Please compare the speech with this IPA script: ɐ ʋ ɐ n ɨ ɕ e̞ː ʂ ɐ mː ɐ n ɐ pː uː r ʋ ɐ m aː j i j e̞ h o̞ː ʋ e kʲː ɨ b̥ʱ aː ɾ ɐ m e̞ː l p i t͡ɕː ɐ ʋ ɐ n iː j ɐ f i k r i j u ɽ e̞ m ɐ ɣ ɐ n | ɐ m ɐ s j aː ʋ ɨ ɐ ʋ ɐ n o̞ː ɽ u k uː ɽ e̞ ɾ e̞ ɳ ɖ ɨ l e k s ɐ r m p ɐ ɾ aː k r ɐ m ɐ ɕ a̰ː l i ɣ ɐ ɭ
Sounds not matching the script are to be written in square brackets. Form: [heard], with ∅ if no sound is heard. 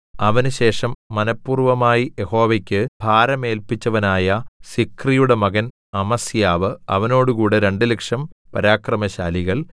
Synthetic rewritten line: ɐ ʋ ɐ n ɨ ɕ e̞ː ʂ ɐ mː ɐ n ɐ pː uː r ʋ ɐ m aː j i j e̞ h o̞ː ʋ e kʲː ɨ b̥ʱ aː ɾ ɐ m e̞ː l p i t͡ɕː ɐ ʋ ɐ n [aː] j ɐ [s] i k r i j u ɽ e̞ m ɐ ɣ ɐ n | ɐ m ɐ s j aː ʋ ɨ ɐ ʋ ɐ n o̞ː ɽ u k uː ɽ e̞ ɾ e̞ ɳ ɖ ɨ l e k [ʂ] ɐ [∅] m p ɐ ɾ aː k r ɐ m ɐ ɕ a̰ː l i ɣ ɐ ɭ